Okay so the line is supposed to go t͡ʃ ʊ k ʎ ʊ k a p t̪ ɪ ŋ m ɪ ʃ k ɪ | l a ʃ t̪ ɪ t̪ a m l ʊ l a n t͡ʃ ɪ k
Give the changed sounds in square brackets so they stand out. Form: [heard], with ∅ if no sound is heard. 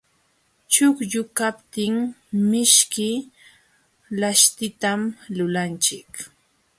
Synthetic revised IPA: t͡ʃ ʊ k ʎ ʊ k a p t̪ ɪ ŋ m ɪ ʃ k ɪ | l a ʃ t̪ ɪ t̪ a m l ʊ l a n t͡ʃ ɪ k